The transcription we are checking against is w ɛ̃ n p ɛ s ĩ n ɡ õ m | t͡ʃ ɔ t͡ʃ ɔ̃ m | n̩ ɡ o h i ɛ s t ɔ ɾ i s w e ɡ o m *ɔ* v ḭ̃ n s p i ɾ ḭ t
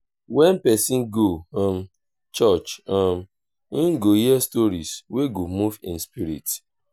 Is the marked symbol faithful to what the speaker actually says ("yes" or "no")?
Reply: no